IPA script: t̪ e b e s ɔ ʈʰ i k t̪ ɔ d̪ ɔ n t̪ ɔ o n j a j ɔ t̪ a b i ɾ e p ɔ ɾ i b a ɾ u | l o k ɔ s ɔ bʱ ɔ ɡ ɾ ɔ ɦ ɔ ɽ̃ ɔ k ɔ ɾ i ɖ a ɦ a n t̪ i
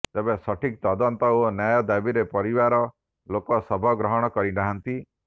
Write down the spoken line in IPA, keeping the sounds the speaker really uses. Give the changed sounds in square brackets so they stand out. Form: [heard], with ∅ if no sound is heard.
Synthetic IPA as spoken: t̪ e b e s ɔ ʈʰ i k t̪ ɔ d̪ ɔ n t̪ ɔ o n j a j ɔ [d̪] a b i ɾ e p ɔ ɾ i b a ɾ [ɔ] | l o k ɔ s ɔ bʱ ɔ ɡ ɾ ɔ ɦ ɔ ɽ̃ ɔ k ɔ ɾ i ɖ a ɦ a n t̪ i